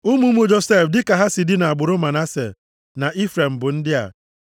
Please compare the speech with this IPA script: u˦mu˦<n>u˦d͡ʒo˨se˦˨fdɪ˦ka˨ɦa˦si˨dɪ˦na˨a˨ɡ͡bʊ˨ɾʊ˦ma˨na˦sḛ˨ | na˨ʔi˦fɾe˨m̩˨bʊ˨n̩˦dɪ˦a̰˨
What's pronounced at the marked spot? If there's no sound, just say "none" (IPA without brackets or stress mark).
m